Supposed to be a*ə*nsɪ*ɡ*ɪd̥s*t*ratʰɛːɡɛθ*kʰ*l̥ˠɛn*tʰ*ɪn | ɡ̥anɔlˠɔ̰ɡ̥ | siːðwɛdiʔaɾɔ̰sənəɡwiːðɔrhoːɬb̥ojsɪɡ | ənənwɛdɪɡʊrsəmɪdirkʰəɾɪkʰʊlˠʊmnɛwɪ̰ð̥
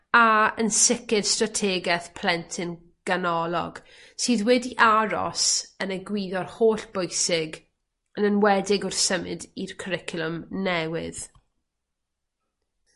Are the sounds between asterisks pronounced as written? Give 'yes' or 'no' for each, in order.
yes, no, yes, no, yes

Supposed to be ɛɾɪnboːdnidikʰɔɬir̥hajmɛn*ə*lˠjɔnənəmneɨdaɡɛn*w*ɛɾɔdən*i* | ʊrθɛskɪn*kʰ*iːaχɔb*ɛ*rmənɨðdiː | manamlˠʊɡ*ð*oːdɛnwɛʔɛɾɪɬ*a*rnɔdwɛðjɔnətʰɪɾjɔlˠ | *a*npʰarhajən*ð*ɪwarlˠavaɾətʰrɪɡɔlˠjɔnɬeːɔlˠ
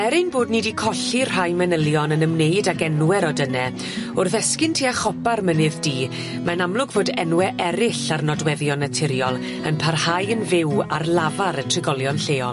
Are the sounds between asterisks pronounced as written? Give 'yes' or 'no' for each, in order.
yes, yes, no, no, no, no, yes, no, no

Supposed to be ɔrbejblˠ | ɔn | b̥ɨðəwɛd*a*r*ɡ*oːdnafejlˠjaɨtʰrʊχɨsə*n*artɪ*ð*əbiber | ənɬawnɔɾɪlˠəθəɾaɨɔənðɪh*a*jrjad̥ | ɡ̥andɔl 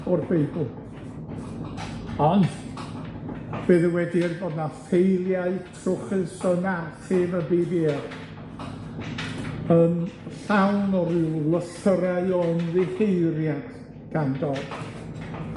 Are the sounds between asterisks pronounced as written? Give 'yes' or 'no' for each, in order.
no, no, yes, no, no

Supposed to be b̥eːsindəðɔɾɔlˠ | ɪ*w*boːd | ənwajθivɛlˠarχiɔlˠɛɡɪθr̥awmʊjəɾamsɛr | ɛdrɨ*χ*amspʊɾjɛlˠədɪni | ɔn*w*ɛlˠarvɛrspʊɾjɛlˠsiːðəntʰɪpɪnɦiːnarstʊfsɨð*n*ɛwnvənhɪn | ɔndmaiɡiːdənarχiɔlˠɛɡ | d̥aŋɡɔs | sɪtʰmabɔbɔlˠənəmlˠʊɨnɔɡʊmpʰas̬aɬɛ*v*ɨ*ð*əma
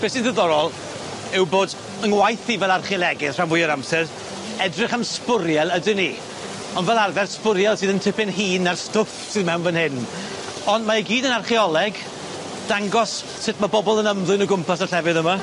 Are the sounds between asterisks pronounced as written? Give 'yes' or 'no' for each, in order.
yes, yes, no, no, yes, yes

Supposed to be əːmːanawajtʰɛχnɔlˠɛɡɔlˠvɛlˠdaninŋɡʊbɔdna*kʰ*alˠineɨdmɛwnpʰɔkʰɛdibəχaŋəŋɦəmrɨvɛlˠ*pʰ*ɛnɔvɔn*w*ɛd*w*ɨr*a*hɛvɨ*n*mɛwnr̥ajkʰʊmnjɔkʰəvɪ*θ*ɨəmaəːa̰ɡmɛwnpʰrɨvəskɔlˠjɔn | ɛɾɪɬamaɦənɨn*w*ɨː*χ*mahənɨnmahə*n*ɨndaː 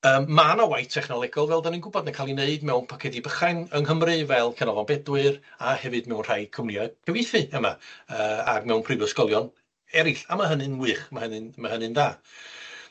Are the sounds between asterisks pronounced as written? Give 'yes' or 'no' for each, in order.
yes, no, no, yes, yes, no, yes, yes, yes, yes

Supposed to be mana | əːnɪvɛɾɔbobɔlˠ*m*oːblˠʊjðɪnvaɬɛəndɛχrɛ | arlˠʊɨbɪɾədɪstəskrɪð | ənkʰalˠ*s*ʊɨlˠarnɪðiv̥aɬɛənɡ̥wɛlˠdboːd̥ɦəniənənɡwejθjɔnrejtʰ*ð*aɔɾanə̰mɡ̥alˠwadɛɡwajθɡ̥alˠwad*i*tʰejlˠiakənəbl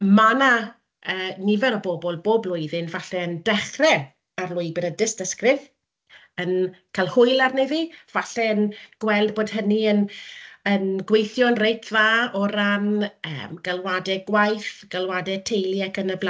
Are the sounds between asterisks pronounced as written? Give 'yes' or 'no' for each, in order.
no, no, yes, no

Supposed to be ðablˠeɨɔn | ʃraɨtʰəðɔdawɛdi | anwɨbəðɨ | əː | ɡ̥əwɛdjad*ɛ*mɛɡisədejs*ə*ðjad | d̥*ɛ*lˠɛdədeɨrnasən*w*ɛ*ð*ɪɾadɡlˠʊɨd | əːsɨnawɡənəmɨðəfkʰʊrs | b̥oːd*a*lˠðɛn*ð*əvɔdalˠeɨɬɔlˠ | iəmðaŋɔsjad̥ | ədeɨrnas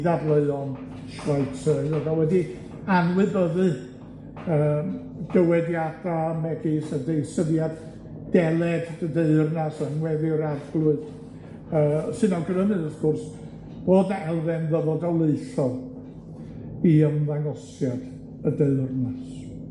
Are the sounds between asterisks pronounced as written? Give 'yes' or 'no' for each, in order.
no, yes, yes, yes, yes, no, yes

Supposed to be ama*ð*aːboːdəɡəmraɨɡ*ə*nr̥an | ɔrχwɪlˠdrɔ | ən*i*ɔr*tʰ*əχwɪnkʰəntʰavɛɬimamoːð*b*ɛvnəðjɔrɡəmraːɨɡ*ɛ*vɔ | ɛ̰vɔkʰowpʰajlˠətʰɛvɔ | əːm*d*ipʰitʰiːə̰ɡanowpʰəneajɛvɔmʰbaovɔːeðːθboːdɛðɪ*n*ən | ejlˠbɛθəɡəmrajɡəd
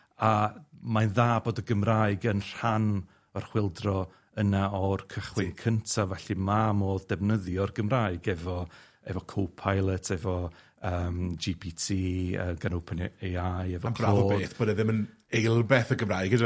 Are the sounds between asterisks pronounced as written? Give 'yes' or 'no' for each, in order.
yes, yes, no, no, no, yes, no, no

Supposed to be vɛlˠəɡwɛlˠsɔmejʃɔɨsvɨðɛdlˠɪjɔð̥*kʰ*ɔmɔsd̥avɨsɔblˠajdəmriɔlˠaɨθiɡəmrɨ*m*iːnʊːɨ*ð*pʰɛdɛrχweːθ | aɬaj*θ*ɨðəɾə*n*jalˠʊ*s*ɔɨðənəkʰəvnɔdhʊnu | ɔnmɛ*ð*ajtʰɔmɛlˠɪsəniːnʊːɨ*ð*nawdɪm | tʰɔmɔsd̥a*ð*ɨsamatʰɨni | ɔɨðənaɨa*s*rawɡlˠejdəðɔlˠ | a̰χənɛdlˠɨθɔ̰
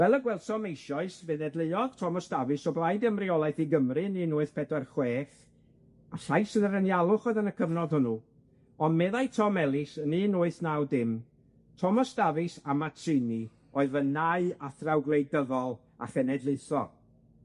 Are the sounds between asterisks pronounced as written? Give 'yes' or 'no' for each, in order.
no, no, no, no, yes, no, yes, no, no, no

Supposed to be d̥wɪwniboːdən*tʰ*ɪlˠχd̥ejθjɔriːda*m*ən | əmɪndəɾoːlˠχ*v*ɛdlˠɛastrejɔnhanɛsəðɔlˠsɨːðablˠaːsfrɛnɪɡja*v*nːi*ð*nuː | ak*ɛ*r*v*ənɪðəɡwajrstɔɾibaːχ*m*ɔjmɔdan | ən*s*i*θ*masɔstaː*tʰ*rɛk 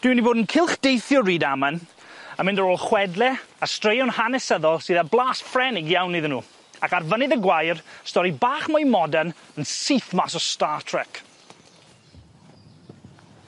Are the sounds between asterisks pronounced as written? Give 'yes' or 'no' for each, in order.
no, yes, no, no, yes, no, yes, yes, yes, yes, yes

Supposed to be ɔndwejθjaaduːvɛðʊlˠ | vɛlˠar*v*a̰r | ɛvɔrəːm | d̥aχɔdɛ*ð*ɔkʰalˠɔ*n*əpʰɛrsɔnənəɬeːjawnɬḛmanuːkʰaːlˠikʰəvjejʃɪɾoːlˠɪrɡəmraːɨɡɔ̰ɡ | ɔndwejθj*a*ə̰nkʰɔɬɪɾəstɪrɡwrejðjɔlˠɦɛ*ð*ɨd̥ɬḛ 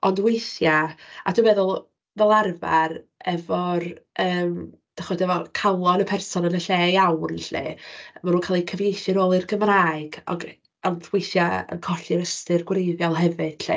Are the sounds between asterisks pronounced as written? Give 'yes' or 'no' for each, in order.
yes, no, yes, yes, no

